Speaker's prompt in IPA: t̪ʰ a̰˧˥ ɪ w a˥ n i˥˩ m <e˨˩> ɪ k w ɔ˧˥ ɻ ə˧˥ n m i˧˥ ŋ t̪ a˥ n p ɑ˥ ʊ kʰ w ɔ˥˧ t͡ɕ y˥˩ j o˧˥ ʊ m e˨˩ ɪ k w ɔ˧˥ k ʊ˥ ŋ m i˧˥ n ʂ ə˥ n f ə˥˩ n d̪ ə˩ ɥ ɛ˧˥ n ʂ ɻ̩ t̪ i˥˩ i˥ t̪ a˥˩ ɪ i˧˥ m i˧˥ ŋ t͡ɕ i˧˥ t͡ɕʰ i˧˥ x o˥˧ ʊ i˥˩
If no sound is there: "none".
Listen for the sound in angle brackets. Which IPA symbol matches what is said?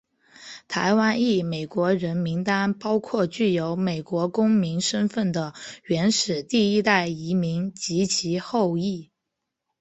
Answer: e˨˩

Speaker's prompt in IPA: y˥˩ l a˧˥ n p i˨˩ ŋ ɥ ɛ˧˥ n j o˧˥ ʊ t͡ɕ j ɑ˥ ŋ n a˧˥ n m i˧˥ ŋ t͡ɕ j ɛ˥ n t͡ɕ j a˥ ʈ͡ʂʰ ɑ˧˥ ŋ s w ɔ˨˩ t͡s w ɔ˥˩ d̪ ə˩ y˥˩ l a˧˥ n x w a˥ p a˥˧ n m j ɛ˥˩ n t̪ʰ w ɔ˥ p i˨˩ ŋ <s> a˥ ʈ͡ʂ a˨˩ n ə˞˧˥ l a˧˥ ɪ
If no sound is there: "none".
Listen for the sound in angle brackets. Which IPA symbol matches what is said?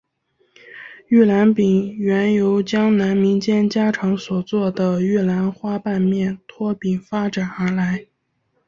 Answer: f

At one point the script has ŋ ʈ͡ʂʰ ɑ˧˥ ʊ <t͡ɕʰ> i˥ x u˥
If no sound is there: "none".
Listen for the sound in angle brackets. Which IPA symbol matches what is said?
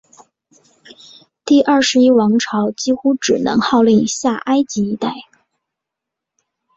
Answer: t͡ɕ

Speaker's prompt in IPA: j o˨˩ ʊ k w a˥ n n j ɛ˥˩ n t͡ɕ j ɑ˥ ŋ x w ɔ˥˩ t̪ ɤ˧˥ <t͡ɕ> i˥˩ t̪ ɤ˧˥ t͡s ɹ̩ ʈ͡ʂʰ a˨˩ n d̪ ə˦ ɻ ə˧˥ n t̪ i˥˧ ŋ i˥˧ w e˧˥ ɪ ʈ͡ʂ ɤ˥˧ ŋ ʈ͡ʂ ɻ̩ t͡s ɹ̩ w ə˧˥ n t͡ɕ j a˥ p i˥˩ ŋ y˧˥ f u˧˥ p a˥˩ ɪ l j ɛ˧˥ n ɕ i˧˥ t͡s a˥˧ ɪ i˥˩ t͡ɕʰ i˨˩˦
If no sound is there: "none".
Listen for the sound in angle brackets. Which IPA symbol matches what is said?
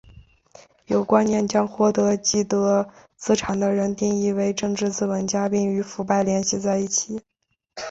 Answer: t͡ɕ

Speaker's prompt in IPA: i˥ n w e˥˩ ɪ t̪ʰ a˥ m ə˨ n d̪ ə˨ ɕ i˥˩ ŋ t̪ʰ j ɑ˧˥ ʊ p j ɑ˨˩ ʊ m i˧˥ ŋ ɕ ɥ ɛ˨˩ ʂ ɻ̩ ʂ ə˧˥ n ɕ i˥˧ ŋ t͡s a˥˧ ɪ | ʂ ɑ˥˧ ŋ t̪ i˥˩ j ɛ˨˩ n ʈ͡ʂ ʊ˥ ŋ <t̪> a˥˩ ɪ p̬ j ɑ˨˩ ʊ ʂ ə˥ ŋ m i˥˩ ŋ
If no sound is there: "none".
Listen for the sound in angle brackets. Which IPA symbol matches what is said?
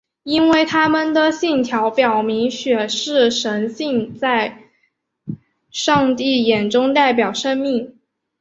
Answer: t̪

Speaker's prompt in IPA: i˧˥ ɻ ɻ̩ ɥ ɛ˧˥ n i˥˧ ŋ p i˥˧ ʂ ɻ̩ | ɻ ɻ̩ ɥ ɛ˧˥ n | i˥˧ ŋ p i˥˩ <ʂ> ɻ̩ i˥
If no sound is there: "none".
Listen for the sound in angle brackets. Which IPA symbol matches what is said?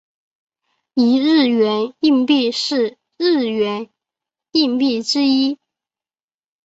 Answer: ʈ͡ʂ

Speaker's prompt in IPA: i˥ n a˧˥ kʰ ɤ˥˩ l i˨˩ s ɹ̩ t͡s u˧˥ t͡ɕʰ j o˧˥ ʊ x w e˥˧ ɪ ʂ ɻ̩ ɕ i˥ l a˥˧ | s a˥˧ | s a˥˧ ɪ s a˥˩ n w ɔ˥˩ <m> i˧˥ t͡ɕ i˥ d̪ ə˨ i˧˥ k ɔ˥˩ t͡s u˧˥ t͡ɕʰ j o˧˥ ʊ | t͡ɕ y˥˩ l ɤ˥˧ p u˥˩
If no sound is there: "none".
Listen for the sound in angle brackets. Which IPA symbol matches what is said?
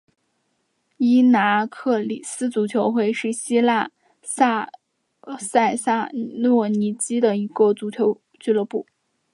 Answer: n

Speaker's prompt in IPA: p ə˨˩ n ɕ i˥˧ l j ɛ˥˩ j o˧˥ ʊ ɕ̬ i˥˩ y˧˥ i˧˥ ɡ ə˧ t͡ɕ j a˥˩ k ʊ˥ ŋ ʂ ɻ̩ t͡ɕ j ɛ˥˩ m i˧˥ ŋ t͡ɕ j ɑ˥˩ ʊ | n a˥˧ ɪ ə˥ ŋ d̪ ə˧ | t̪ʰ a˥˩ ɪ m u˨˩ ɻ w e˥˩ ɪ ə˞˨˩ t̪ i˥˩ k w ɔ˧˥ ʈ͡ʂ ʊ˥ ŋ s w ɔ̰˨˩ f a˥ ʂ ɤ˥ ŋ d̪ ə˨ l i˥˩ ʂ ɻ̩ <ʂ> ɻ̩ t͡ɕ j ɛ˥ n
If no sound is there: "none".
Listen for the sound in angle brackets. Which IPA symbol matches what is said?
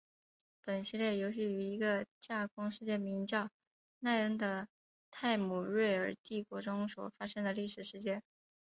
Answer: ʂ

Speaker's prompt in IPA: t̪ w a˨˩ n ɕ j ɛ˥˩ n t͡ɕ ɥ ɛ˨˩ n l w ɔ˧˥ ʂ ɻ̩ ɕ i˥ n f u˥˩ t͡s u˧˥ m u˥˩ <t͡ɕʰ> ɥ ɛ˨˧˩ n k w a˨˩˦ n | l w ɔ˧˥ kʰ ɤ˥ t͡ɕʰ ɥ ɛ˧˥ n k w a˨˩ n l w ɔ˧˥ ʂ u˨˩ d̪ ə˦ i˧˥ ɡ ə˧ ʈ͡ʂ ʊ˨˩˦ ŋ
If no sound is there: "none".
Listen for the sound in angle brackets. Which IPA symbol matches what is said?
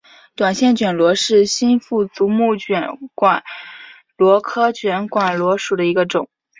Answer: t͡ɕ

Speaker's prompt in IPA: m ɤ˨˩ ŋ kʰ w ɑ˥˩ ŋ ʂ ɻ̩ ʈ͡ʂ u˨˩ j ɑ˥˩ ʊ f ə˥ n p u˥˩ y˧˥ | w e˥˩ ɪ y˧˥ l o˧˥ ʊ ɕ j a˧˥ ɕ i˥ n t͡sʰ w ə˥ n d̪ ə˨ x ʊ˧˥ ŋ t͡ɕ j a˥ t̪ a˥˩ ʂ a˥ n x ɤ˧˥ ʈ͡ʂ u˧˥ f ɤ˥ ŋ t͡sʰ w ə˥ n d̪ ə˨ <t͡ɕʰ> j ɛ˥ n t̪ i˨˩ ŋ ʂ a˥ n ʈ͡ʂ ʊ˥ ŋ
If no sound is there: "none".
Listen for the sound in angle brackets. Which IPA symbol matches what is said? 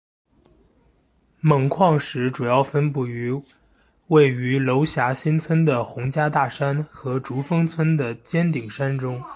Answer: t͡ɕ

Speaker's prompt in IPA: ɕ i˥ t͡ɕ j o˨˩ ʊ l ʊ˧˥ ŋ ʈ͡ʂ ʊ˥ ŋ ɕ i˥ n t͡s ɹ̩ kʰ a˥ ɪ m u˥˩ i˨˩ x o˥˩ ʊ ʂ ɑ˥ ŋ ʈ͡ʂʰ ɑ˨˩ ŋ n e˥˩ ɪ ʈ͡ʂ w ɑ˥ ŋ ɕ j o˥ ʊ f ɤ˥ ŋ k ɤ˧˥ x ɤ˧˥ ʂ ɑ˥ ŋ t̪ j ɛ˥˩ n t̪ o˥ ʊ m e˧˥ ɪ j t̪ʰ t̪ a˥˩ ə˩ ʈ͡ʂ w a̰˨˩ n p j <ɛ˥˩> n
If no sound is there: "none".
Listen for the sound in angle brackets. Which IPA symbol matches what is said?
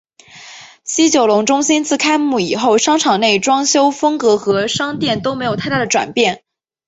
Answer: ɛ˥˩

